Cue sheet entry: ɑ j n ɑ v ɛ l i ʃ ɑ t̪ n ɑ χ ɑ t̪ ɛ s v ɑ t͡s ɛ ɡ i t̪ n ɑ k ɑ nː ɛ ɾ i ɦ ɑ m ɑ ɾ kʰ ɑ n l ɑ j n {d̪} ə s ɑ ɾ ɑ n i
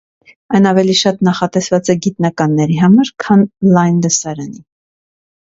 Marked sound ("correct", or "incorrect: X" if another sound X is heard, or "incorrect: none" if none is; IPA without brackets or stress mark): correct